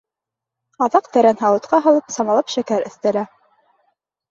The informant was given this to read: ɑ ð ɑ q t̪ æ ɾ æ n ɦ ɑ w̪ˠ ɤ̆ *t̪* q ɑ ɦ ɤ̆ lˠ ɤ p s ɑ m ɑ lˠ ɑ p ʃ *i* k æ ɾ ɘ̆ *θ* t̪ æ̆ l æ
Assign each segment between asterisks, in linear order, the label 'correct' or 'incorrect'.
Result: correct, incorrect, correct

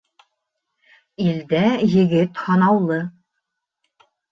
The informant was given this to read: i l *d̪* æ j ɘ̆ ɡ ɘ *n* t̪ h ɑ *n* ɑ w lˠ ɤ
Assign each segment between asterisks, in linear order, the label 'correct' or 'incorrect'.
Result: correct, incorrect, correct

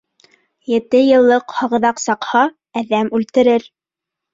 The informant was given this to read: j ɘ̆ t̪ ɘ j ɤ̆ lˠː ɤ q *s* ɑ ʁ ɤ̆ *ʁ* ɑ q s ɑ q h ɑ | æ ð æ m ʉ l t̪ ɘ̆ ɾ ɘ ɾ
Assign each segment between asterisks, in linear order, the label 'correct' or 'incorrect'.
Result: incorrect, incorrect

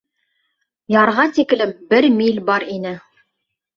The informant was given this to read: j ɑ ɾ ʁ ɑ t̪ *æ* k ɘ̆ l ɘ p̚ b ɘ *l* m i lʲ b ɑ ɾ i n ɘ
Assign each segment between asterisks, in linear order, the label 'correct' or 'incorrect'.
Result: incorrect, incorrect

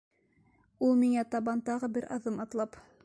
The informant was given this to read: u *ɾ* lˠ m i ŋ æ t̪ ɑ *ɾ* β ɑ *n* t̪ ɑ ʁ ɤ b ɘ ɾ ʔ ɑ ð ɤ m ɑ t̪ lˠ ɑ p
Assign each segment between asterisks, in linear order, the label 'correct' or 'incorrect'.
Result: incorrect, incorrect, correct

